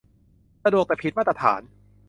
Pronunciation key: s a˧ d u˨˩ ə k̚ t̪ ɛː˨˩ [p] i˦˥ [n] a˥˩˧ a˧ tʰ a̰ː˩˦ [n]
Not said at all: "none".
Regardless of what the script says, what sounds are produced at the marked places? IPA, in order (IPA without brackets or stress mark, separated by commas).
pʰ, m, n